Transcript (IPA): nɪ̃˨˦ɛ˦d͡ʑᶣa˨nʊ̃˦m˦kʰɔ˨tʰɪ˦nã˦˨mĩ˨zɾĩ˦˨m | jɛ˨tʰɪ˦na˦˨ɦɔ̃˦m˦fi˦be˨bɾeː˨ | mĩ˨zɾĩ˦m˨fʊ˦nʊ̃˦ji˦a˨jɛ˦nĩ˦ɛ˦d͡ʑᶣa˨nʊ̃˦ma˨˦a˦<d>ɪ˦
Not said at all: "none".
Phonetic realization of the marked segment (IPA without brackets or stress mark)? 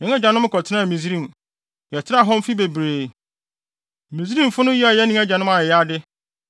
d